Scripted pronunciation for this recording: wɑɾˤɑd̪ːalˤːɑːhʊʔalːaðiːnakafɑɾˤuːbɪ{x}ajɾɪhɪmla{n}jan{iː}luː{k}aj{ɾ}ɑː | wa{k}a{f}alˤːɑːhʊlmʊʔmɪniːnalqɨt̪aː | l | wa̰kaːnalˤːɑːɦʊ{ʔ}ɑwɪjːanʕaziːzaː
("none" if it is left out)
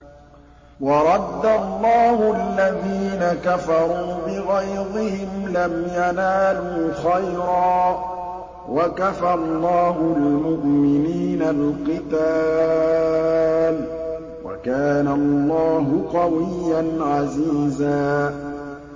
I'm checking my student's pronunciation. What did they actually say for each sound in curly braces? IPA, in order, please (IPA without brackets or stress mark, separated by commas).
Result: ɣ, m, aː, x, ɾ, k, f, q